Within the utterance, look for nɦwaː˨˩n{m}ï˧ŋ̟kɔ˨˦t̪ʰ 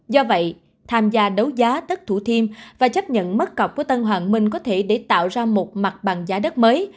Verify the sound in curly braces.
correct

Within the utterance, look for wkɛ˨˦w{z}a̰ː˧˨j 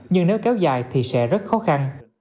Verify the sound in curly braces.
correct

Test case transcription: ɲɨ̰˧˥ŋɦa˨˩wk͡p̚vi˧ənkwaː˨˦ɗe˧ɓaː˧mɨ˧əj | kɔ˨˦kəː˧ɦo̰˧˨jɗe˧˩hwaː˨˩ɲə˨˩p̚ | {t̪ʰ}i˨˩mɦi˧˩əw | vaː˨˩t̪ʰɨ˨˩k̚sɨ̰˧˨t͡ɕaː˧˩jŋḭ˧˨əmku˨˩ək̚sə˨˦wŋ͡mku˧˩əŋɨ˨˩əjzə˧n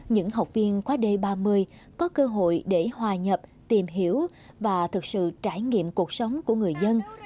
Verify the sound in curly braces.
incorrect: t̪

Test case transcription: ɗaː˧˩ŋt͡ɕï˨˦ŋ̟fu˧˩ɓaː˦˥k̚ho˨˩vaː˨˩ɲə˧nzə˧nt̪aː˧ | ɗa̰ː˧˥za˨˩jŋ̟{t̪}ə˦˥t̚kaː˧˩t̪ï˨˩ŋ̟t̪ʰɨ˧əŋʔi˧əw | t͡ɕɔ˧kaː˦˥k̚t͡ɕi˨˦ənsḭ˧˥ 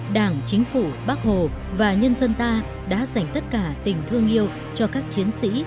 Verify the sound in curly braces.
correct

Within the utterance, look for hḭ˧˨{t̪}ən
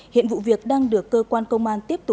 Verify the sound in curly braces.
incorrect: none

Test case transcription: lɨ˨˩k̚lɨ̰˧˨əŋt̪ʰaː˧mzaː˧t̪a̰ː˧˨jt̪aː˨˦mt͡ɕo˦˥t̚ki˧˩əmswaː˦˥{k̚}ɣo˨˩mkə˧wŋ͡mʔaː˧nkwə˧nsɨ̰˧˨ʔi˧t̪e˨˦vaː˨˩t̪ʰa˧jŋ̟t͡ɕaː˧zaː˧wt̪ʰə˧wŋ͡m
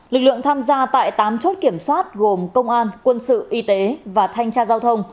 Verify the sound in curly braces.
incorrect: t̚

